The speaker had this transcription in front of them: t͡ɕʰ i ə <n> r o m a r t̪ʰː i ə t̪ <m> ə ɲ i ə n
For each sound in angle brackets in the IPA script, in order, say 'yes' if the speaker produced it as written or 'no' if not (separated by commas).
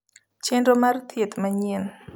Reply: yes, yes